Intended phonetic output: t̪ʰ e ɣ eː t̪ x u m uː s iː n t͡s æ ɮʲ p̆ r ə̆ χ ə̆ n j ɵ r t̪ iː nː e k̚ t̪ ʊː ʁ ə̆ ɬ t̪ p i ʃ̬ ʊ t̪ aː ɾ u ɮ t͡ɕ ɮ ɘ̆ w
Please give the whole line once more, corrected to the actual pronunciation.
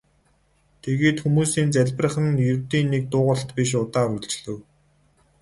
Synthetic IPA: t̪ʰ e ɣ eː t̪ x u m uː s iː n t͡s æ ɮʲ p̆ r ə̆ χ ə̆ n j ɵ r t̪ iː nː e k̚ t̪ ʊː ʁ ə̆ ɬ t̪ p i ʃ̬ ʊ t̪ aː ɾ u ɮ t͡ɕ ɮ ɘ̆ w